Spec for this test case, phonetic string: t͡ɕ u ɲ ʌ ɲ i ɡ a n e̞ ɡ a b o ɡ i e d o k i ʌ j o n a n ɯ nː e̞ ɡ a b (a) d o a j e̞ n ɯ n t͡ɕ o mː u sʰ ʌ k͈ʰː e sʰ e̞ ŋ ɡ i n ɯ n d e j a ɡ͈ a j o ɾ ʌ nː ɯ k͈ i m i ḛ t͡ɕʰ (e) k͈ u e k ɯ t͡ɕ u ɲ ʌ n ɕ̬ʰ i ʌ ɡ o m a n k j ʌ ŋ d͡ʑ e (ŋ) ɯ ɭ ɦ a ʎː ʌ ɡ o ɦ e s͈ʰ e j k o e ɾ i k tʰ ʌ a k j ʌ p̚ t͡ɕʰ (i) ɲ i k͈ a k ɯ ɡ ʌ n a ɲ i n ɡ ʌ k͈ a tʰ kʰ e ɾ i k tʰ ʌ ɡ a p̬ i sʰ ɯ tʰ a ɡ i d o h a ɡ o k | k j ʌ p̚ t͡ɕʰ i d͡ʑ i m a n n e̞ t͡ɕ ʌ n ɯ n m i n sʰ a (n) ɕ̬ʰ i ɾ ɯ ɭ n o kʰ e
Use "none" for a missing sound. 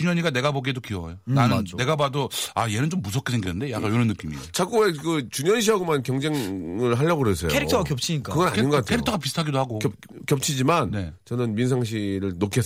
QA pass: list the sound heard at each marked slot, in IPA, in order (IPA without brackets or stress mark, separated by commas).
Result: a, a, ŋ, i, ŋ